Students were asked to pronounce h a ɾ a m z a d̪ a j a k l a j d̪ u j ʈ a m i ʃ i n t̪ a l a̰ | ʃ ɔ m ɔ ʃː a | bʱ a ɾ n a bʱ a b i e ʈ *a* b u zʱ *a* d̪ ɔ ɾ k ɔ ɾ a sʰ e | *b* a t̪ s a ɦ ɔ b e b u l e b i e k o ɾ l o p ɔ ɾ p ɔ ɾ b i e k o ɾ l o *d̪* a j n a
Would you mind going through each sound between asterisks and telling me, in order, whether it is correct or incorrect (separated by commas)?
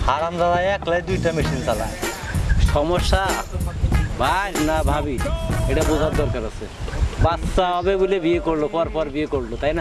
correct, correct, correct, incorrect